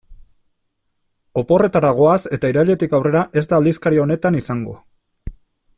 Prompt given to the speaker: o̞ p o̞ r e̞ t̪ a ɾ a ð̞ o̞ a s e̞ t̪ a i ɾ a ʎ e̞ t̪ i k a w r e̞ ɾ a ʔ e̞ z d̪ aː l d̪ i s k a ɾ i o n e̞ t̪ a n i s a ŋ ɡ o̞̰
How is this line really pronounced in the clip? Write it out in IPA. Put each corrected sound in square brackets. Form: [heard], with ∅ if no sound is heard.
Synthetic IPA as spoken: o̞ p o̞ r e̞ t̪ a ɾ a [ɣ̞] o̞ a s e̞ t̪ a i ɾ a ʎ e̞ t̪ i k a w r e̞ ɾ a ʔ e̞ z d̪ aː l d̪ i s k a ɾ i o n e̞ t̪ a n i s a ŋ ɡ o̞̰